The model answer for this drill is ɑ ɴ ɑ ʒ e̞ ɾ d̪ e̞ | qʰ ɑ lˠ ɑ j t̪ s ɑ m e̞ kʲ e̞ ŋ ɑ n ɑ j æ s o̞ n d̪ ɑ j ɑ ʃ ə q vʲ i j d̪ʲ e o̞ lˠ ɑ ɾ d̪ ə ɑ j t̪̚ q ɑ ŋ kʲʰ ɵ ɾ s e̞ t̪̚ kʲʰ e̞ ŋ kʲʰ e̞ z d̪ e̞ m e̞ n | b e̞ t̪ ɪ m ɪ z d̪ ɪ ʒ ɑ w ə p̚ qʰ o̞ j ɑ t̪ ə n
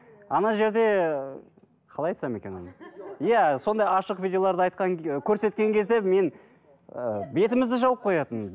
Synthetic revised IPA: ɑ n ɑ ʒ e̞ ɾ d̪ e̞ | qʰ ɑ lˠ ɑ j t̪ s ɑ m e̞ kʲ e̞ n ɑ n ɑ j æ s o̞ n d̪ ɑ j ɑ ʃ ə q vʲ i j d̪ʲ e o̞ lˠ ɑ ɾ d̪ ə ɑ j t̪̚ q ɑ ŋ kʲʰ ɵ ɾ s e̞ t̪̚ kʲ e̞ ŋ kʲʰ e̞ z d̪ e̞ m e̞ n | b e̞ t̪ ɪ m ɪ z d̪ ɪ ʒ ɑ w ə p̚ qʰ o̞ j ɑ t̪ ə n